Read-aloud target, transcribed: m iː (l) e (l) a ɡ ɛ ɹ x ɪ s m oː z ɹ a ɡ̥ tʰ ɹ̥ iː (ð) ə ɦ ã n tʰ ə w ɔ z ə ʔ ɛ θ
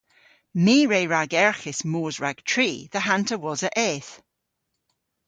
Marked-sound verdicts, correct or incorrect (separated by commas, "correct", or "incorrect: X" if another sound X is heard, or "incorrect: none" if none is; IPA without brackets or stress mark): incorrect: ɹ, incorrect: ɹ, correct